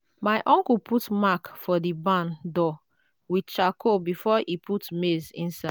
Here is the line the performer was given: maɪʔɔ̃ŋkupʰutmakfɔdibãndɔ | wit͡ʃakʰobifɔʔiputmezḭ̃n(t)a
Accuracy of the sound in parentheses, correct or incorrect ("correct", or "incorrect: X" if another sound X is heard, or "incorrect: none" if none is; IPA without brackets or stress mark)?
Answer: incorrect: s